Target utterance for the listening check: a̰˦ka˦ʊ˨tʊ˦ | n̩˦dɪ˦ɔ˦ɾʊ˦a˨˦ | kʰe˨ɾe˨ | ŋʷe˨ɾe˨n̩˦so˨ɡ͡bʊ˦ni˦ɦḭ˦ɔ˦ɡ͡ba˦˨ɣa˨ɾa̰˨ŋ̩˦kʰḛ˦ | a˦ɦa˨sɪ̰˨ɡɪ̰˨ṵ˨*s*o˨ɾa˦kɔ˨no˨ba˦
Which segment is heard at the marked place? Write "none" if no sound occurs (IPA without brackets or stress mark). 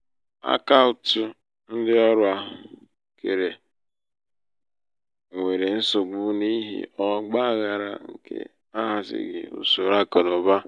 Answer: s